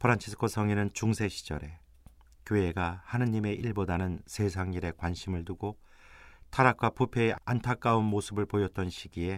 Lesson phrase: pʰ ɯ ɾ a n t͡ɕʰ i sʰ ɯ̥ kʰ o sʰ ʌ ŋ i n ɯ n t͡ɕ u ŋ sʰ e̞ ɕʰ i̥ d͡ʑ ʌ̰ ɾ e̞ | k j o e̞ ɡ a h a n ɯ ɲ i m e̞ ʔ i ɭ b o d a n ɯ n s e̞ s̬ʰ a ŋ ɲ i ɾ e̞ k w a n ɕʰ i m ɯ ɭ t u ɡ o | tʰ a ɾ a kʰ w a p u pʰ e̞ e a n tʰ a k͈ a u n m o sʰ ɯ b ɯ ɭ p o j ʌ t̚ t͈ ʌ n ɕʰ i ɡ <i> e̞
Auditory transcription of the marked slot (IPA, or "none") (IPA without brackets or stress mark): i